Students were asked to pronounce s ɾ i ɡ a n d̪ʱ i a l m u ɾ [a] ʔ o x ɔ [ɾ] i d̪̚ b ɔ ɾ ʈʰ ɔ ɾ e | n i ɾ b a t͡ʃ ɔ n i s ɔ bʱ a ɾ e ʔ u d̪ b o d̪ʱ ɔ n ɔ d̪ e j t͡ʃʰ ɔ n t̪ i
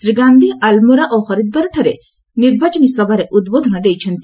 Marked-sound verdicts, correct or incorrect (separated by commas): correct, correct